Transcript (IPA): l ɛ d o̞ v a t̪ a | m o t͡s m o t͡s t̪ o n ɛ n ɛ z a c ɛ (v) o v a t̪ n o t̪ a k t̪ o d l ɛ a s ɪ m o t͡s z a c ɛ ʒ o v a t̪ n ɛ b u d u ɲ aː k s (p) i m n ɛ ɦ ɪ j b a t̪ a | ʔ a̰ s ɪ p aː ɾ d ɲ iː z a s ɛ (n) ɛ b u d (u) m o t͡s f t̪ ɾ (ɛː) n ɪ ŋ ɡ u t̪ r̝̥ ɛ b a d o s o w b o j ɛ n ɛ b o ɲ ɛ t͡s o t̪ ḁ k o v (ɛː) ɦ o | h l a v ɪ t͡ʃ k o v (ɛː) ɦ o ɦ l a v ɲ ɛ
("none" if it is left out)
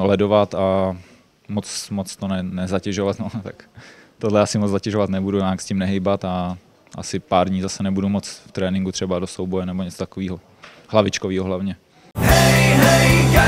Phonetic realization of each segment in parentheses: ʒ, c, n, u, ɛː, iː, iː

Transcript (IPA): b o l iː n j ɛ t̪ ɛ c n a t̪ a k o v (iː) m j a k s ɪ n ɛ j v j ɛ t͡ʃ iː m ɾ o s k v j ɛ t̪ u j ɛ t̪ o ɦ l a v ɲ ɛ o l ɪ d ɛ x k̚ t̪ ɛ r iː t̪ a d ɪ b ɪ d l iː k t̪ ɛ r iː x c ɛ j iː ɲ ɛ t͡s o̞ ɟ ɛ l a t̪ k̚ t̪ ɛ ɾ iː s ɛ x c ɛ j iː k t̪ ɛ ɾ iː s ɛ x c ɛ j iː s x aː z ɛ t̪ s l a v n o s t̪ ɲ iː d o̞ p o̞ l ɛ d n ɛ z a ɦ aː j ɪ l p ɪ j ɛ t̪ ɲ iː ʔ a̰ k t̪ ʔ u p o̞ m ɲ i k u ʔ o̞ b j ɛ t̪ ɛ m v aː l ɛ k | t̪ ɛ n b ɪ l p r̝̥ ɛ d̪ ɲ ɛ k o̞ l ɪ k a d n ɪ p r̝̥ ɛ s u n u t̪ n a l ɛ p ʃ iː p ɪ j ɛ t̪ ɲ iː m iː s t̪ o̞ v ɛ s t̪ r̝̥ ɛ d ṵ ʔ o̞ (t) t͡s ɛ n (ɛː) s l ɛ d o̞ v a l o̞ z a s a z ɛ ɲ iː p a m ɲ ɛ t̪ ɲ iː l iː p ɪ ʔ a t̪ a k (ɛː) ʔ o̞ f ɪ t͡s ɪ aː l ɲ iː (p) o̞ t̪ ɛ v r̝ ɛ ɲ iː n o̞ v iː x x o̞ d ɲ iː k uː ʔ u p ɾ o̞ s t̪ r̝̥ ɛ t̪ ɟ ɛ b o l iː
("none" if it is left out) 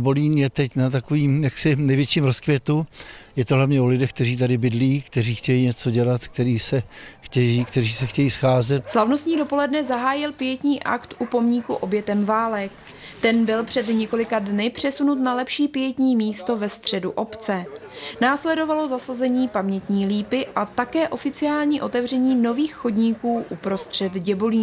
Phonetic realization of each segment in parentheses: iː, p, aː, ɛː, ʔ

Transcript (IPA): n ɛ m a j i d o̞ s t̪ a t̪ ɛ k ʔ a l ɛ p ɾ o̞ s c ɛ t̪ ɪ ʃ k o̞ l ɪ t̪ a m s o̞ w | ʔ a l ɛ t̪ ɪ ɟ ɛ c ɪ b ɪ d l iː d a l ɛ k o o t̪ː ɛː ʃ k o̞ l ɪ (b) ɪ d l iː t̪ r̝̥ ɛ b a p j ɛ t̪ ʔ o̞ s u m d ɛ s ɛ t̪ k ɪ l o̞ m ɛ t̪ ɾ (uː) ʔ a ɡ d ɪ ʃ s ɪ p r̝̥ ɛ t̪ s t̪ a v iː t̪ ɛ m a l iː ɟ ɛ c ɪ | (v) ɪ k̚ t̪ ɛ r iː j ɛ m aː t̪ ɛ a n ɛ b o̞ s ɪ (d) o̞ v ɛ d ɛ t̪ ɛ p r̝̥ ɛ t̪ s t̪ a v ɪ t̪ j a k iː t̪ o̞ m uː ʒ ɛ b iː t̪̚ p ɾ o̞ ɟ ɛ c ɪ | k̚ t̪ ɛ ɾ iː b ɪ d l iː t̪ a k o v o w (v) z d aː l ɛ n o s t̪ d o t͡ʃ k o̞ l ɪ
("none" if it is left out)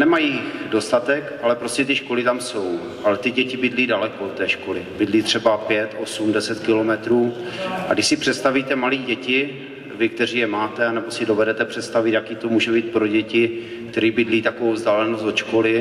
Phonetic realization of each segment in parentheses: b, uː, v, d, v

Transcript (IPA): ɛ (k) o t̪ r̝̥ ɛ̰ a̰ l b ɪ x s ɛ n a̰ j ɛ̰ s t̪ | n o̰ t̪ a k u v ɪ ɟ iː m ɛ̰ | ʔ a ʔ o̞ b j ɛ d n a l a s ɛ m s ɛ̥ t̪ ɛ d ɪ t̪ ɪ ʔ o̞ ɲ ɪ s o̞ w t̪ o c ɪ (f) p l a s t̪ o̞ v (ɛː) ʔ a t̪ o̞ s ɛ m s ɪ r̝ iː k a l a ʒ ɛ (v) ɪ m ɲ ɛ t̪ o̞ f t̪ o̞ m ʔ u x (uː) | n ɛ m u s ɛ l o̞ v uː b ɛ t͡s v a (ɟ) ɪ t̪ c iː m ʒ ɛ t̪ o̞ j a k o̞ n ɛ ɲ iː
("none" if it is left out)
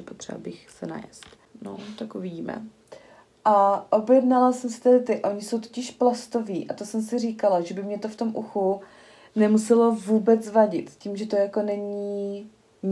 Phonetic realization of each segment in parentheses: p, ʃ, iː, b, u, ɟ

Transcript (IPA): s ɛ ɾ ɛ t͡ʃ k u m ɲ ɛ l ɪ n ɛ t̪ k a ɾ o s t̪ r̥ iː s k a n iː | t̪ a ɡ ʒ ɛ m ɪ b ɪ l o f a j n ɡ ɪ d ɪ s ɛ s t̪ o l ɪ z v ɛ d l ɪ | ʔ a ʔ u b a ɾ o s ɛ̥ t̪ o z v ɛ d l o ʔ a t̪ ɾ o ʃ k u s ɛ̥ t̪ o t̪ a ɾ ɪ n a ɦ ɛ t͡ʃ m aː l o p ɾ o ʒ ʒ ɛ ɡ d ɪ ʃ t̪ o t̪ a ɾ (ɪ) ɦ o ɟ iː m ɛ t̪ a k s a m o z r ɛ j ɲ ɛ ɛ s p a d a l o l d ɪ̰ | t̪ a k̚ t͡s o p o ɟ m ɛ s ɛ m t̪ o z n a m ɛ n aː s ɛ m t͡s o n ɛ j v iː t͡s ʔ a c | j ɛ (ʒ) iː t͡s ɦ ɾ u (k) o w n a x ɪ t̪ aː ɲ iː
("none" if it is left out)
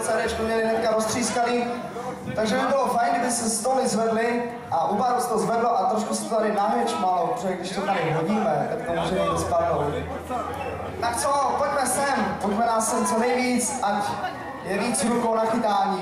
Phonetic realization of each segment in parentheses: ɪ, v, k

